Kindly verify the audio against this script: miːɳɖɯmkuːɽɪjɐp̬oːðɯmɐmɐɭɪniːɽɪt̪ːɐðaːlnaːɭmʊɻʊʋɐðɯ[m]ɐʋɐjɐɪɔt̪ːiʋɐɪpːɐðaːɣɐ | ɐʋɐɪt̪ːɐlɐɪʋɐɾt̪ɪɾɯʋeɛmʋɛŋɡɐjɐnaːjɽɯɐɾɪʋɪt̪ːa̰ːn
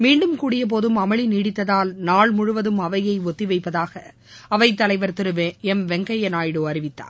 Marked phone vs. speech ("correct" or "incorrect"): correct